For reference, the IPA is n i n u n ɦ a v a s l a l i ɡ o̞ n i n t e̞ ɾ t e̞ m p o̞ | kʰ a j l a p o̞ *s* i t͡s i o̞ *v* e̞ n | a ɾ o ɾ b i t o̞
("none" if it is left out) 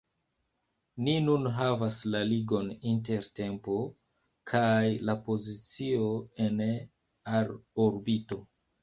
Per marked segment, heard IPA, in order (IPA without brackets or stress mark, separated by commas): z, none